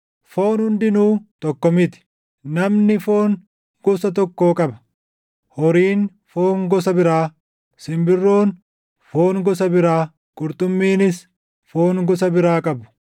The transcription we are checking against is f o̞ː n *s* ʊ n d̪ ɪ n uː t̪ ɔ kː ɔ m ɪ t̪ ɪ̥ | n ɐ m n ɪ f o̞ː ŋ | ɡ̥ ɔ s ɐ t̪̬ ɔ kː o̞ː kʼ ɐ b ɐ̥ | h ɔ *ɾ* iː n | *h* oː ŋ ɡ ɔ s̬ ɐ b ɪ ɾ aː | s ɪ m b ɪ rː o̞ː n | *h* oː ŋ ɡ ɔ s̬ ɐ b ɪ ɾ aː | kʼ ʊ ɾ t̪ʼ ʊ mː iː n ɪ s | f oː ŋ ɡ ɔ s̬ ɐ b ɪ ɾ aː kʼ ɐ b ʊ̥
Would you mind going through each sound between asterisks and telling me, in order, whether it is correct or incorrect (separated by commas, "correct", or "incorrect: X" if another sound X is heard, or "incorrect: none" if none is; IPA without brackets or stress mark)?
incorrect: h, correct, incorrect: f, incorrect: f